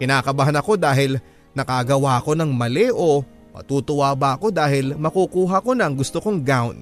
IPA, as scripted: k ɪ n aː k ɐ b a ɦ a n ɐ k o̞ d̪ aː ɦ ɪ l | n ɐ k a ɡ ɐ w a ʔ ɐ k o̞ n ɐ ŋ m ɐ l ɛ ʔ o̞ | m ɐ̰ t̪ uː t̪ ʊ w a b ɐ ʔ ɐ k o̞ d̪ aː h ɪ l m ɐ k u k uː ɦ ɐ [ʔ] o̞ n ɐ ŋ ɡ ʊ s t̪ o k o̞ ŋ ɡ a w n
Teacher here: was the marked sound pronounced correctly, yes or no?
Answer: no